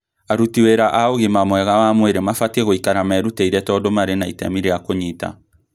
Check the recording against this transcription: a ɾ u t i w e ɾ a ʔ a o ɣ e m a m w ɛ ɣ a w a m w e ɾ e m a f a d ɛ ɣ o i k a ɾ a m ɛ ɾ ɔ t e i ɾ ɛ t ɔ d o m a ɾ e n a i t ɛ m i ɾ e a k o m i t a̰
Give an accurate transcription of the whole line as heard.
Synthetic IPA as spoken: a ɾ u t i w e ɾ a ʔ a o ɣ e m a m w ɛ ɣ a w a m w e ɾ e m a f a t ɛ ɣ o i k a ɾ a m ɛ ɾ u t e i ɾ ɛ t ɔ d o m a ɾ e n a i t ɛ m i ɾ e a k o ɲ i t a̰